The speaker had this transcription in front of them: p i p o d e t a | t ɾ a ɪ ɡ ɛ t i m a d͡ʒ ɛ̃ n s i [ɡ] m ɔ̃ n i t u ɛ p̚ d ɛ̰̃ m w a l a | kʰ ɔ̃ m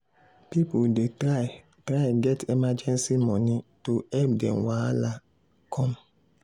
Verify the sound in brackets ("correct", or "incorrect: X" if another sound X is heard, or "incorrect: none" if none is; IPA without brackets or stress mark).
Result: incorrect: none